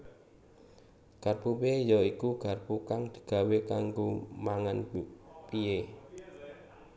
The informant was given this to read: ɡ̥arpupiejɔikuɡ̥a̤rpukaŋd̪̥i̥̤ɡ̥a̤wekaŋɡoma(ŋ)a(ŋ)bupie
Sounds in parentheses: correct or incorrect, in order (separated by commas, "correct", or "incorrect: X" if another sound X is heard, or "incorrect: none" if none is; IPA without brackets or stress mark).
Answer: correct, incorrect: n